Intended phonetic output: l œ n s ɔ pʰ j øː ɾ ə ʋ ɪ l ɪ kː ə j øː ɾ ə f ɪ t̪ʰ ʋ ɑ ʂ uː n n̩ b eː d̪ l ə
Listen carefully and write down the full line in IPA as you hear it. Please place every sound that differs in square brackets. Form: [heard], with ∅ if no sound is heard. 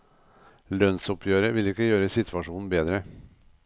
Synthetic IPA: l œ n s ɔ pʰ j øː ɾ ə ʋ ɪ l ɪ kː ə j øː ɾ ə [s] ɪ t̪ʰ ʋ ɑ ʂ uː n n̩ b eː d̪ [ɾ] ə